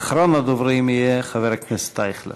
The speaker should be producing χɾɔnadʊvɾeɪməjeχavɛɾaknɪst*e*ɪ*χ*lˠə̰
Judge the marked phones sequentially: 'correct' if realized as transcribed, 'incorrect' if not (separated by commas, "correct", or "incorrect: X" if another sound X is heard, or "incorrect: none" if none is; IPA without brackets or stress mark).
incorrect: a, correct